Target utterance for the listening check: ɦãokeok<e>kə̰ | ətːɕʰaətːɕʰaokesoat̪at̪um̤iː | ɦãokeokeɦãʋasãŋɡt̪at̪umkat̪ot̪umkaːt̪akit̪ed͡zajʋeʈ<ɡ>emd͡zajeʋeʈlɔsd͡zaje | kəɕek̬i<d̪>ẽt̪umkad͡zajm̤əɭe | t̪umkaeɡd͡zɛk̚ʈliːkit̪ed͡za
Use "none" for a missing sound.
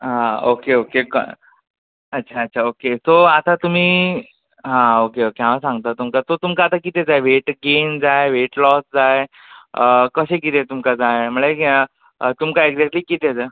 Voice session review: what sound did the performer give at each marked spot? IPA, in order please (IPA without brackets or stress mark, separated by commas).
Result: e, ɡ, t̪